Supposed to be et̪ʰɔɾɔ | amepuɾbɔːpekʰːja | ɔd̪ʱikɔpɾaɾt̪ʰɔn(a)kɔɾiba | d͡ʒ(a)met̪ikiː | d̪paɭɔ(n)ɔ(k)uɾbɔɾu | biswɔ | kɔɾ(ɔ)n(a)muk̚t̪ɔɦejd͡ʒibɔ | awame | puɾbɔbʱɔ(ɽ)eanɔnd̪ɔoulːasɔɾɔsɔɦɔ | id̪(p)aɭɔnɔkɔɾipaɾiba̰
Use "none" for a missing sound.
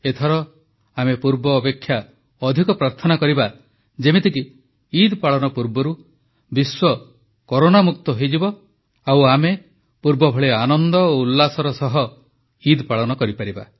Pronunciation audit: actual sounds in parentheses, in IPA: a, e, n, p, o, a, ɭ, p

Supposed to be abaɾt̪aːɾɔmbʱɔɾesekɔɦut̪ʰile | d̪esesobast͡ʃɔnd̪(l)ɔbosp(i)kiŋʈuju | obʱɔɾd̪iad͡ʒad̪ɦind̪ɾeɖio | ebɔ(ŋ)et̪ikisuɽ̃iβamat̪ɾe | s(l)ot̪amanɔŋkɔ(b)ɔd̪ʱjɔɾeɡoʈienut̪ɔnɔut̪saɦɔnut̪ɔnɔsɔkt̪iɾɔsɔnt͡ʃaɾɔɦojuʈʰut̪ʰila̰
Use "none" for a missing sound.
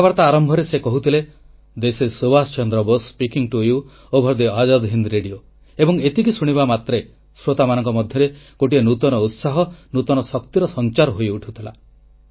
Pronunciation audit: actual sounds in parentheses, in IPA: ɾ, i, ŋ, ɾ, m

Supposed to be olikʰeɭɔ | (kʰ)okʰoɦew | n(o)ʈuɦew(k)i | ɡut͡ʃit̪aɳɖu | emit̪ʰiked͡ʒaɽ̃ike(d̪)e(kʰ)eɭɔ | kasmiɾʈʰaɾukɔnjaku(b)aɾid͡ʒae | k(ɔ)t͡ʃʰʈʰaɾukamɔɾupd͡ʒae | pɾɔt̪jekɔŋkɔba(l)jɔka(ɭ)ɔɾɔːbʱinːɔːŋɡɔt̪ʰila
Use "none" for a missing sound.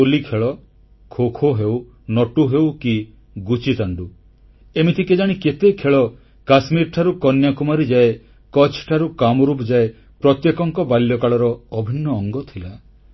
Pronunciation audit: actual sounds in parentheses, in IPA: kʰ, ɔ, k, t̪, kʰ, m, ɔ, l, ɭ

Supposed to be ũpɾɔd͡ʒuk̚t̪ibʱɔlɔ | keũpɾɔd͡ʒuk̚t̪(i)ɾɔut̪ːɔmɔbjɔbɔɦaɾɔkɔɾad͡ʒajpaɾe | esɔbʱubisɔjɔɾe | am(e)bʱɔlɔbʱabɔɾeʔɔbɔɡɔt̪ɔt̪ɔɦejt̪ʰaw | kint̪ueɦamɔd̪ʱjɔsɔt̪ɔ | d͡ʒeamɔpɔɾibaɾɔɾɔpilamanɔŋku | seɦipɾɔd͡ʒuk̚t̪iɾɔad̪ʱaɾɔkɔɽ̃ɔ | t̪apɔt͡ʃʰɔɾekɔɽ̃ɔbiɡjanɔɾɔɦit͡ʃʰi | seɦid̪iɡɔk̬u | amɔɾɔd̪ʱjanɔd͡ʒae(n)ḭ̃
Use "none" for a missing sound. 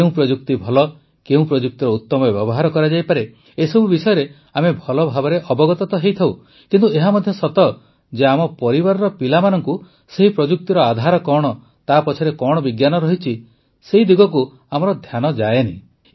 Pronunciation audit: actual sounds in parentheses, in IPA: i, e, n

